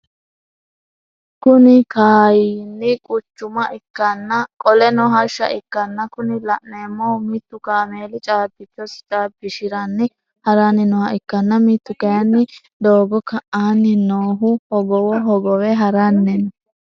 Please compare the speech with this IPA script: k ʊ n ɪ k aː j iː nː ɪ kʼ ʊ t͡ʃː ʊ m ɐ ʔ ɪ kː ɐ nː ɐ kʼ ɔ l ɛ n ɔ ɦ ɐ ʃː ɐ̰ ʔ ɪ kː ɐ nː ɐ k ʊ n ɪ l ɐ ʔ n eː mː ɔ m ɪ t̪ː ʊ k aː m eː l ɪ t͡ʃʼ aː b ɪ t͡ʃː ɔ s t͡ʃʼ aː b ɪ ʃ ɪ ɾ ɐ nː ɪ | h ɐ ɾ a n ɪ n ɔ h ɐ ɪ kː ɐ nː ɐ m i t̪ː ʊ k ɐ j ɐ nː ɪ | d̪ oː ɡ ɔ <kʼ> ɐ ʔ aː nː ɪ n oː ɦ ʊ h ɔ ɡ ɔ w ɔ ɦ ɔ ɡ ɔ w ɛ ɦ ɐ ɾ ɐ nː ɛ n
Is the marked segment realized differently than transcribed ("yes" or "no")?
yes